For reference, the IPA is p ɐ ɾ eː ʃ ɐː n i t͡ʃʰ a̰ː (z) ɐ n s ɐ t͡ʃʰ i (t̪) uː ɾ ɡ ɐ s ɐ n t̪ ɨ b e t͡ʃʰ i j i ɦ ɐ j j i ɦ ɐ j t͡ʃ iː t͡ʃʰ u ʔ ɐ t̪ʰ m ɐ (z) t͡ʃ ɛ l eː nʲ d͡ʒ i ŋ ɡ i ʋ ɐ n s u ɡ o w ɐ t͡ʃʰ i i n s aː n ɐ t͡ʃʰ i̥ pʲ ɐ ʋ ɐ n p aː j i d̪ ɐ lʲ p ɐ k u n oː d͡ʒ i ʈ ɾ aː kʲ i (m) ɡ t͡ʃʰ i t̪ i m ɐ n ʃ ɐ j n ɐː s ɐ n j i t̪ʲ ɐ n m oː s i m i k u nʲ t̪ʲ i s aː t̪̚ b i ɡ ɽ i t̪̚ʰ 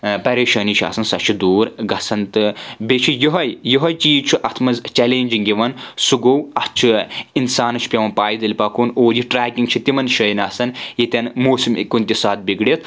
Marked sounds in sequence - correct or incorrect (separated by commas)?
incorrect, incorrect, correct, incorrect